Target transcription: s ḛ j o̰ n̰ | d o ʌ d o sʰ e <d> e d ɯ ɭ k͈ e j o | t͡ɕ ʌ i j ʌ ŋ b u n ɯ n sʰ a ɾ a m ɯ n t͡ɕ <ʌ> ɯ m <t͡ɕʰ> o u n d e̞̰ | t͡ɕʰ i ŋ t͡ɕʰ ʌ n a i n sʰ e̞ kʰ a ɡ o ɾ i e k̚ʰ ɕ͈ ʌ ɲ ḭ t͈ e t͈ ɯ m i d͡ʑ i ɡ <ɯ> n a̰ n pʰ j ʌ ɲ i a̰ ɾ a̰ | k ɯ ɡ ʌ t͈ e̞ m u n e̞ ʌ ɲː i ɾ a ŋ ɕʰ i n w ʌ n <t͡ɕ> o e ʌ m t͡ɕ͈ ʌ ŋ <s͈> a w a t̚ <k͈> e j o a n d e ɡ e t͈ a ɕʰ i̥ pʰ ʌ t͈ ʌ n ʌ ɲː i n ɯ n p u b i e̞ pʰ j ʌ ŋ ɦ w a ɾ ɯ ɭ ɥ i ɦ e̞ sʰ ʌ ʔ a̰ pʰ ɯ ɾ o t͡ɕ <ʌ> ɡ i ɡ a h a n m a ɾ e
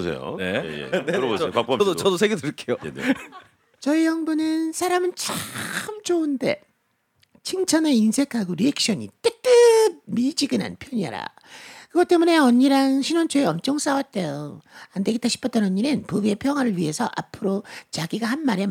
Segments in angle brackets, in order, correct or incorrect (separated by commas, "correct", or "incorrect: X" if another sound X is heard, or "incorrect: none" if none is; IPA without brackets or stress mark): incorrect: ɡ, incorrect: a, incorrect: t͡ɕ, correct, incorrect: t͡ɕʰ, correct, incorrect: t͈, incorrect: a